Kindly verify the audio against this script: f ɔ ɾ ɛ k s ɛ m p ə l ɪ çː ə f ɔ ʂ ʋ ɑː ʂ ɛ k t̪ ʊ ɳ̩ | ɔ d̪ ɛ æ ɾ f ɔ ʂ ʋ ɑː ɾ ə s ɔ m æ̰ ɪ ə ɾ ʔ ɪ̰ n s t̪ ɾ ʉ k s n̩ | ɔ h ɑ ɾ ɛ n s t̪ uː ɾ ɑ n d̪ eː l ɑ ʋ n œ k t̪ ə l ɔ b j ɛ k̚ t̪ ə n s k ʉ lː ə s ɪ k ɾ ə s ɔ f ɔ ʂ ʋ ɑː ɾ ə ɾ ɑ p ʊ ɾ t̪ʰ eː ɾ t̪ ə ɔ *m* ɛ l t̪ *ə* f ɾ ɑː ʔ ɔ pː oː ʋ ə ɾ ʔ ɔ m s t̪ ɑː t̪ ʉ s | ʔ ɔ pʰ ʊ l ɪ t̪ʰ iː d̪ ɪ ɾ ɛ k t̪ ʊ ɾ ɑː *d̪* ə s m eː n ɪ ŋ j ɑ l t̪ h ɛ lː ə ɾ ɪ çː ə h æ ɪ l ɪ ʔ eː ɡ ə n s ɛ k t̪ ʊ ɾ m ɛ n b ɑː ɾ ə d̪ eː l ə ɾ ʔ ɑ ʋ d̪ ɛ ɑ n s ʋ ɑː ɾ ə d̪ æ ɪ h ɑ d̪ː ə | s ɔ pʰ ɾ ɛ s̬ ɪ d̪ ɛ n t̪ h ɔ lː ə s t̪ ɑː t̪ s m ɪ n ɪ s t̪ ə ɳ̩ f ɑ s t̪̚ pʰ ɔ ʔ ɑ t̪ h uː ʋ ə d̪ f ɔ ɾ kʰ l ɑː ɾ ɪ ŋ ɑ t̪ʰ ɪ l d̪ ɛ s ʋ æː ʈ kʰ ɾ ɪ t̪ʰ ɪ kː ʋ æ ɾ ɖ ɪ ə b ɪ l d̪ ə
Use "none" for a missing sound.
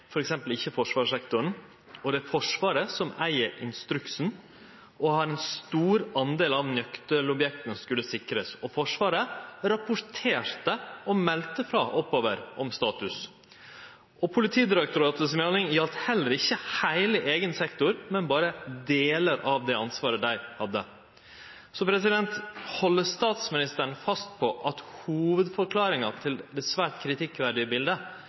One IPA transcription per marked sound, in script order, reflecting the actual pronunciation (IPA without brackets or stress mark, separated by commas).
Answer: m, ə, t̪